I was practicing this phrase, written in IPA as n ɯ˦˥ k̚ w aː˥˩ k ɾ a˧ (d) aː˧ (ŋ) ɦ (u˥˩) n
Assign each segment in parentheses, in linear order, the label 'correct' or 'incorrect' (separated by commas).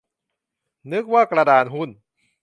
correct, incorrect, correct